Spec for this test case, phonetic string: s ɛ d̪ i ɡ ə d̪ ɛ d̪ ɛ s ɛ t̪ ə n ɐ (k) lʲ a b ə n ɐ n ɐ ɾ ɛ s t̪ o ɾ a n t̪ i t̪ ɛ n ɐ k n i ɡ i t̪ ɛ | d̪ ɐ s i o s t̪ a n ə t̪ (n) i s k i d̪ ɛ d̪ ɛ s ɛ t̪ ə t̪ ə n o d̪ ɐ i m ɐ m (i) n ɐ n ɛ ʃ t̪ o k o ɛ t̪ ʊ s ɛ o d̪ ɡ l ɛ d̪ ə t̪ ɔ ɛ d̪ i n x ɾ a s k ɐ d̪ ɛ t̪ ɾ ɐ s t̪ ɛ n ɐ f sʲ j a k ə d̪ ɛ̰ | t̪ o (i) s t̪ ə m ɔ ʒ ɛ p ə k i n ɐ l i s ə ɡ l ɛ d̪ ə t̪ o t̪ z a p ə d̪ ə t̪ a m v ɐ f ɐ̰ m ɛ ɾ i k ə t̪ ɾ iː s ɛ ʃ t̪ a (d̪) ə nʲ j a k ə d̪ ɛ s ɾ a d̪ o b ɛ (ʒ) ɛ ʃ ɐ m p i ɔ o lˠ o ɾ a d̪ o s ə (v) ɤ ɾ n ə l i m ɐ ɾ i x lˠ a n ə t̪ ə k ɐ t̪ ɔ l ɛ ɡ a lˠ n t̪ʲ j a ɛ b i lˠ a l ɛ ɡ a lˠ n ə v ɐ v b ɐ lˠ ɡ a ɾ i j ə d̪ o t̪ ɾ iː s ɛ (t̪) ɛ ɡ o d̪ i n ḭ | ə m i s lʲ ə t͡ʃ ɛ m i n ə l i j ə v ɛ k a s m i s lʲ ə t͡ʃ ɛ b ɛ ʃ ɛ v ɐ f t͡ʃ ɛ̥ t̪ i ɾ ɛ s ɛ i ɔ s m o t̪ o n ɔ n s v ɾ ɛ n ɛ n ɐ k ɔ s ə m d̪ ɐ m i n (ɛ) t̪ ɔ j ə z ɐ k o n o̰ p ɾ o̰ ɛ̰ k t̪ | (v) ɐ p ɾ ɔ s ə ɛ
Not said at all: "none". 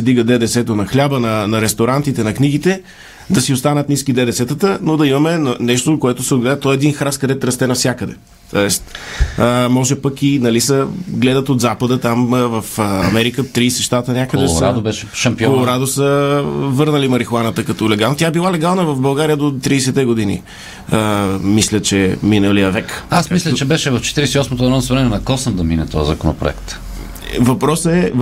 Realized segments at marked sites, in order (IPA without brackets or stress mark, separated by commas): x, n, ɛ, ɛ, t̪, ʃ, v, t̪, ɛ, v